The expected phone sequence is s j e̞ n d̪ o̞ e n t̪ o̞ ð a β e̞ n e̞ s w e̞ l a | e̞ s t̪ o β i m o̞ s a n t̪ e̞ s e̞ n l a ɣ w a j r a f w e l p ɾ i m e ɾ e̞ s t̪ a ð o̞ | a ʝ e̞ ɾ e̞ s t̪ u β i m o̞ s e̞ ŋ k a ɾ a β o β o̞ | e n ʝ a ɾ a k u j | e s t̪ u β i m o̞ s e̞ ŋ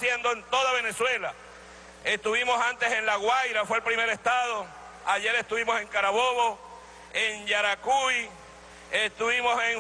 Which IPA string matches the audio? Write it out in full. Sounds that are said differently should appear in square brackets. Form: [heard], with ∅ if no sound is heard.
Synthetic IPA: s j e̞ n d̪ o̞ e n t̪ o̞ ð a β e̞ n e̞ s w e̞ l a | e̞ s t̪ [u] β i m o̞ s a n t̪ e̞ s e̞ n l a ɣ w a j [ɾ] a f w e l p ɾ i m e ɾ e̞ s t̪ a ð o̞ | a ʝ e̞ ɾ e̞ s t̪ u β i m o̞ s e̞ ŋ k a ɾ a β o β o̞ | e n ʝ a ɾ a k u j | e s t̪ u β i m o̞ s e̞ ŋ